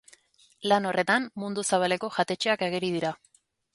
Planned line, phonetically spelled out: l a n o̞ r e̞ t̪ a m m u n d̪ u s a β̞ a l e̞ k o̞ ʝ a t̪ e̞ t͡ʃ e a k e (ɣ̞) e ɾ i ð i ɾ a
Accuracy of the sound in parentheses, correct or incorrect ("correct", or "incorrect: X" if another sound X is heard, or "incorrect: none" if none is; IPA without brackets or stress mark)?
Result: correct